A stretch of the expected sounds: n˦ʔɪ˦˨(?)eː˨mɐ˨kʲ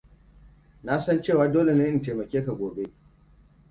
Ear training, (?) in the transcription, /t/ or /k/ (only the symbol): t